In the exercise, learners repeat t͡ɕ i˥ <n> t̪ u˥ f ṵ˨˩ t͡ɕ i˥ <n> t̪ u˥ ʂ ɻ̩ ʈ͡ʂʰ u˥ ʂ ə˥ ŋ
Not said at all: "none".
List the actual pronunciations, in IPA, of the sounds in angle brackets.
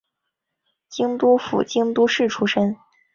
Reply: ŋ, ŋ

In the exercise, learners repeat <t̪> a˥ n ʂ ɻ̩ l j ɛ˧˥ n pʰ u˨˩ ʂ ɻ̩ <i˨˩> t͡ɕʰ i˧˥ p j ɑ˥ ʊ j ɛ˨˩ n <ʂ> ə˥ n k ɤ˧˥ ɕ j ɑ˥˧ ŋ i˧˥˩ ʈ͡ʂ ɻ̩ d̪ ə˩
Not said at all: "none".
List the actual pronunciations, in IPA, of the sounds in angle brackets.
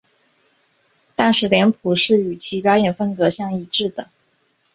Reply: t̪, y˨˩, f

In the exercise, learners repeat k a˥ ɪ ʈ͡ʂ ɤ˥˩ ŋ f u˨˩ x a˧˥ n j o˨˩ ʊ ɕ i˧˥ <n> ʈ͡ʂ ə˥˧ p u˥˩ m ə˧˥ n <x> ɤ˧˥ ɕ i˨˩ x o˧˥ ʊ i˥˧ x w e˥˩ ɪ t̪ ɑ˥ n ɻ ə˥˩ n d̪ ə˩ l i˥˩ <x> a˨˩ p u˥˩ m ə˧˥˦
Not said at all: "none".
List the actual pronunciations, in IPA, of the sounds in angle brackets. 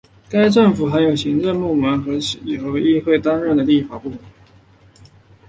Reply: ŋ, x, f

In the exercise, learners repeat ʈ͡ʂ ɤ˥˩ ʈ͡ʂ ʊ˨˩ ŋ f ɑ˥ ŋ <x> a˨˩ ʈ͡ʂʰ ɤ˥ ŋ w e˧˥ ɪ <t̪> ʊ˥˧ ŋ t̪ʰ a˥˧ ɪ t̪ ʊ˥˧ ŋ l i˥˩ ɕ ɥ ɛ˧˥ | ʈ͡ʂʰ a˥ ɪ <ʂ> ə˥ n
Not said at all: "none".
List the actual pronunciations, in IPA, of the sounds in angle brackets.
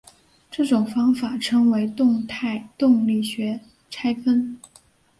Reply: f, t̪, f

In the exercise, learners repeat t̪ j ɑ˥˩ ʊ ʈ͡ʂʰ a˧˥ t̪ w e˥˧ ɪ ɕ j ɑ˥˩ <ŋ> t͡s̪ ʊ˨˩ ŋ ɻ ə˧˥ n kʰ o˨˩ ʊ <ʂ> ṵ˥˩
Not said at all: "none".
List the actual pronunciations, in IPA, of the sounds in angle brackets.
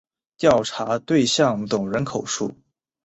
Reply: ŋ, ʂ

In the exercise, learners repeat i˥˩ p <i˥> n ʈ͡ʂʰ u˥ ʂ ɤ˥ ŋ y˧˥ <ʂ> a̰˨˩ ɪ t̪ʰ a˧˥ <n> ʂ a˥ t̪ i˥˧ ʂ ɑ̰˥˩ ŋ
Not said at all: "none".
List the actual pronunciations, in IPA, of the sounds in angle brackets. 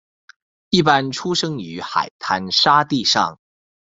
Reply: a˥, x, n

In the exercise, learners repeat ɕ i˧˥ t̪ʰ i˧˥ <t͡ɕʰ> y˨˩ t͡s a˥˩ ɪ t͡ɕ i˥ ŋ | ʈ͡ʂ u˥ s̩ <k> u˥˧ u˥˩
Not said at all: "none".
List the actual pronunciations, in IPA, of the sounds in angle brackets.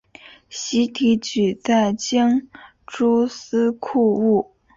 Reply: t͡ɕ, kʰ

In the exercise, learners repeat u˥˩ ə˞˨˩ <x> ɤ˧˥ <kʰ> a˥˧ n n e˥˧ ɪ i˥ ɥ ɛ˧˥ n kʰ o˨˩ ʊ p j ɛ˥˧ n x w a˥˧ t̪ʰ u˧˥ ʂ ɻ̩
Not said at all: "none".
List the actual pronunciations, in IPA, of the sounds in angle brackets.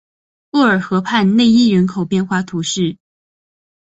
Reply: x, pʰ

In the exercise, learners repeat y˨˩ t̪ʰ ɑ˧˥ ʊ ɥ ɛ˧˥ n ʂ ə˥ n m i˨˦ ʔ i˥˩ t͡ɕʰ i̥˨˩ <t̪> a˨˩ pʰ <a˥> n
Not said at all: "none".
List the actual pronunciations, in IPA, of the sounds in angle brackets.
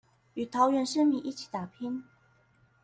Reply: t̪, i˥

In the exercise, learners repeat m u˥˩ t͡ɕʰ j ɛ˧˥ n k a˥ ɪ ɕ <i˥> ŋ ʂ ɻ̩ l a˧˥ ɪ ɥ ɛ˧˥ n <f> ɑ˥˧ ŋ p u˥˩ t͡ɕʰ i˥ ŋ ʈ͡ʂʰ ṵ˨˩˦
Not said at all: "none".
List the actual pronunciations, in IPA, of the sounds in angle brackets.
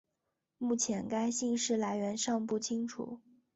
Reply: i˥˧, ʂ

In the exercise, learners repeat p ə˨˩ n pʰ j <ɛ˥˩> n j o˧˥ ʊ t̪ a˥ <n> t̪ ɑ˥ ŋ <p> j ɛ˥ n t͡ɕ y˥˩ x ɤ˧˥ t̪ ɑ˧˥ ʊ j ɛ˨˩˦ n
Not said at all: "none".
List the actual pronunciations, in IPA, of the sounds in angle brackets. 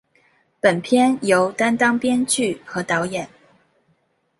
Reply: ɛ˥, n, p

